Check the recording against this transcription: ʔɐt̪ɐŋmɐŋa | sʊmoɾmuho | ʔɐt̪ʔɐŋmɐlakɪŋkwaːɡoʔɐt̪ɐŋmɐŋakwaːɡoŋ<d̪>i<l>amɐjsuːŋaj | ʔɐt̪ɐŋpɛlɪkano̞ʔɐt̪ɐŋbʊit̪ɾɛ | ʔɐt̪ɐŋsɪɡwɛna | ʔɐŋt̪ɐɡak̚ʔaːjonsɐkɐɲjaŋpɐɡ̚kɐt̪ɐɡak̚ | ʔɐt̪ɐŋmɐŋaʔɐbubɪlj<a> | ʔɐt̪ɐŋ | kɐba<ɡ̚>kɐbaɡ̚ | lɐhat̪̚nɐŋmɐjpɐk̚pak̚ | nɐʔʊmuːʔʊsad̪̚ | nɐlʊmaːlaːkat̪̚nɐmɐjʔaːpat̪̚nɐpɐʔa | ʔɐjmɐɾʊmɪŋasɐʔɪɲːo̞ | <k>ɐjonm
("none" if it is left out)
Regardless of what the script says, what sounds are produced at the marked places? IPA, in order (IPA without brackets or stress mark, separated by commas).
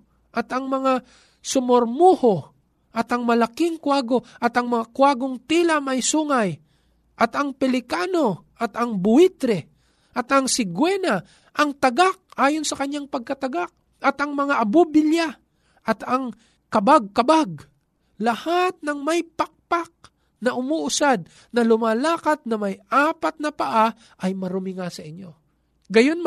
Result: t̪, l, a, ɡ̚, ɡ